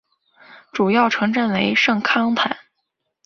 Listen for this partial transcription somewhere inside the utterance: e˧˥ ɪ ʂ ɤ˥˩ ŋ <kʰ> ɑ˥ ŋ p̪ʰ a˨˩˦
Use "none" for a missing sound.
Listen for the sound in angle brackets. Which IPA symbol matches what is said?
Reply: kʰ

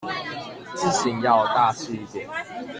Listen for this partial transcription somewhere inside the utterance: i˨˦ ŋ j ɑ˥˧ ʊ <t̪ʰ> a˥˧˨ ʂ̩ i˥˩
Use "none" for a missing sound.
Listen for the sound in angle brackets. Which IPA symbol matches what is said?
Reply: t̪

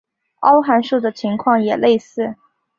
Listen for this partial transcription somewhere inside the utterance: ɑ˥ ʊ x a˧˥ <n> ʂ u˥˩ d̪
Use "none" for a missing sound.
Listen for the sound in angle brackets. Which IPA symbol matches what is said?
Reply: n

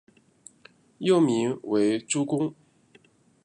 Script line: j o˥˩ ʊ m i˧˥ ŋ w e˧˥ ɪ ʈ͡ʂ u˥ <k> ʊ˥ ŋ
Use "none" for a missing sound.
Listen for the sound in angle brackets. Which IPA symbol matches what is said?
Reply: k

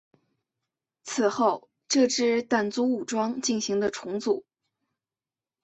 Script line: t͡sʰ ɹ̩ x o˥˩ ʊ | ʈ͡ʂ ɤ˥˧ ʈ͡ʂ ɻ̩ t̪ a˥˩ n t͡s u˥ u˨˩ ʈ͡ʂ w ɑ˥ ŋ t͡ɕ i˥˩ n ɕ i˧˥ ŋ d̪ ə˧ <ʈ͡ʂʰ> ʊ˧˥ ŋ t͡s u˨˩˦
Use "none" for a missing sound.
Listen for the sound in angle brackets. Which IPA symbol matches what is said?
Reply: ʈ͡ʂʰ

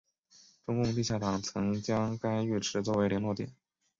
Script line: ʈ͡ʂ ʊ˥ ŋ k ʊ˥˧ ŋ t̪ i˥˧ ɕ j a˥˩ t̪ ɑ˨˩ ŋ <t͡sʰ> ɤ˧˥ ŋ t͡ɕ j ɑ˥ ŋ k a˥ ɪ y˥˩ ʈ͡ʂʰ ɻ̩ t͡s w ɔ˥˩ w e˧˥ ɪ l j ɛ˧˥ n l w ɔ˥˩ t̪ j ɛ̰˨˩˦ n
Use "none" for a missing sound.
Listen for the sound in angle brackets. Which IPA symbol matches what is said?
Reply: t͡sʰ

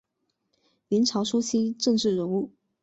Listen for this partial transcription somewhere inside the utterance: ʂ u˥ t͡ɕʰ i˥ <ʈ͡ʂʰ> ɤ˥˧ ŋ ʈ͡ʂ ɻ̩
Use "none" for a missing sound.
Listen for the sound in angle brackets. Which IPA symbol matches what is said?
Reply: ʈ͡ʂ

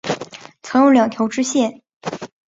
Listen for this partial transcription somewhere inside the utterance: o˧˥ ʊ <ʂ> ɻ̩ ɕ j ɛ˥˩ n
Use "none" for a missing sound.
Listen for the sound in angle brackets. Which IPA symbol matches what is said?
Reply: ʈ͡ʂ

